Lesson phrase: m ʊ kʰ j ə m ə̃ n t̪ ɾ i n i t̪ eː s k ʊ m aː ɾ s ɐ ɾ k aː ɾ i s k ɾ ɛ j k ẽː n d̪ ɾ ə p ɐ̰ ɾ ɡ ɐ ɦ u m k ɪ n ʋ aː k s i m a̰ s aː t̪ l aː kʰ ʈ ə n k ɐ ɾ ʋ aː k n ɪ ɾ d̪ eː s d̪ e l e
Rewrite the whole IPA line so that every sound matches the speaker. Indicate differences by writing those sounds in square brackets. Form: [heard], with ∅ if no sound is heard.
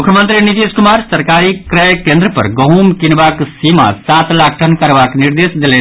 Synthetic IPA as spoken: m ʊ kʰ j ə m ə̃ n t̪ ɾ i n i t̪ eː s k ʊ m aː ɾ s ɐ ɾ k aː ɾ i [∅] k ɾ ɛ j k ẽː n d̪ ɾ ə p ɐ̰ ɾ ɡ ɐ ɦ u m k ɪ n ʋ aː k s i m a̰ s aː t̪ l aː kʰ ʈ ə n k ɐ ɾ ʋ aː k n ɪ ɾ d̪ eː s d̪ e l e